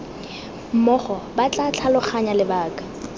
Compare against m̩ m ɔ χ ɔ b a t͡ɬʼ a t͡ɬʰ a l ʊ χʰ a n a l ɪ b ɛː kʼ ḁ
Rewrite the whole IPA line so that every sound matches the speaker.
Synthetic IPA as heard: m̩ m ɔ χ ɔ b a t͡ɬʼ a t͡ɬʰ a l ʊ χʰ a ɲ a l ɪ b aː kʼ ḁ